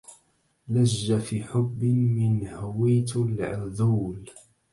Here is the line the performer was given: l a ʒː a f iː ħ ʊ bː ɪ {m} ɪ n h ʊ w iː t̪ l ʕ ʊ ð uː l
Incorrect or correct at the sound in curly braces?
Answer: correct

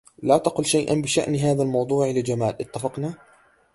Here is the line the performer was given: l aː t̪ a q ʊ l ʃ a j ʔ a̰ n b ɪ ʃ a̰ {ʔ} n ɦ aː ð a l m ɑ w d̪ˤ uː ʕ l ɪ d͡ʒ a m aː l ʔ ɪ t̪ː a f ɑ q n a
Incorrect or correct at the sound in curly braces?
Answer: correct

